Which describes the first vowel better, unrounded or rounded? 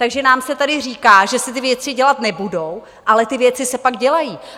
unrounded